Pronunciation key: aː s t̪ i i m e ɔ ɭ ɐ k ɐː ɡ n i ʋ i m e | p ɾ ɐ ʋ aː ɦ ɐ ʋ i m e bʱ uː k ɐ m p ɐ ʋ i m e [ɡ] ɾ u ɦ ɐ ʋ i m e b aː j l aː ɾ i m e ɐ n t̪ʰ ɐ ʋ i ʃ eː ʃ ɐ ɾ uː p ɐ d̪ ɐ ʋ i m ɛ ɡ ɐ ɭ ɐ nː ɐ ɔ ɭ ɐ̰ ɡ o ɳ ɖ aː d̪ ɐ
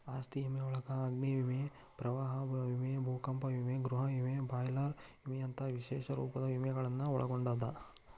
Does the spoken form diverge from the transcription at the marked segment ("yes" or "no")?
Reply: no